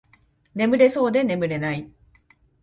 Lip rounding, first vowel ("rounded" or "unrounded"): unrounded